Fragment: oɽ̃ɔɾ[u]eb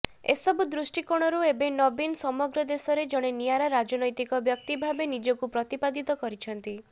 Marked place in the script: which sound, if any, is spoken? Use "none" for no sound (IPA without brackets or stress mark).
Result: u